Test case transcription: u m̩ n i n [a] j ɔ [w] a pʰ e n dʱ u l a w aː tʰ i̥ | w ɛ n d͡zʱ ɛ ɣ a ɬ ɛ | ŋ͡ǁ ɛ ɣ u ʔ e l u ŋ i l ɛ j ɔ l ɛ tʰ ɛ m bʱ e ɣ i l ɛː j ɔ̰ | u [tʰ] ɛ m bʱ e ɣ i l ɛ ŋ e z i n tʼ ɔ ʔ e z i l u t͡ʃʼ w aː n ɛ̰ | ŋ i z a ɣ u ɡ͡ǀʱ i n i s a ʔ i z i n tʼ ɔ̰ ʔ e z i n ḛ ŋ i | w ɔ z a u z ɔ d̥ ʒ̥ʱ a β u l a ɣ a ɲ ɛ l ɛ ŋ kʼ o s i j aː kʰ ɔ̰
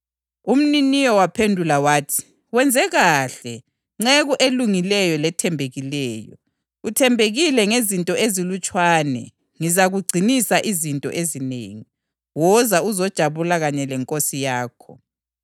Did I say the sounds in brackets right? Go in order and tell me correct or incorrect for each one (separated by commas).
incorrect, correct, correct